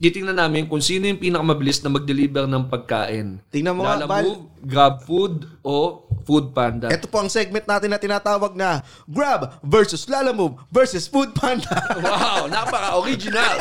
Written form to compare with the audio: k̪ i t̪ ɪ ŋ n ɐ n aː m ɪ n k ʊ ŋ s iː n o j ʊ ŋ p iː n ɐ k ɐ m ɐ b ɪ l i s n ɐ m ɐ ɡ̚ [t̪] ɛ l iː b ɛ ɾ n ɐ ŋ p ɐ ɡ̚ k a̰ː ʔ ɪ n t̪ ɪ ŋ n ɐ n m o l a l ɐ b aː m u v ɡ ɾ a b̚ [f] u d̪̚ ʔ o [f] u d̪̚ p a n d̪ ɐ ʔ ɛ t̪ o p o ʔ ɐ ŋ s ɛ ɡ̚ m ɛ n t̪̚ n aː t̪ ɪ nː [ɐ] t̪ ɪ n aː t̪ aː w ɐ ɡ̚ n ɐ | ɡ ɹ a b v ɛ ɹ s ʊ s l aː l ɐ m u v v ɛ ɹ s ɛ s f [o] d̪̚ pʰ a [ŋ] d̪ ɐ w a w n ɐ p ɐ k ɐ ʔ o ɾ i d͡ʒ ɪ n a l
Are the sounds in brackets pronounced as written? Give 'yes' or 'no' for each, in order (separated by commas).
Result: no, yes, yes, yes, no, no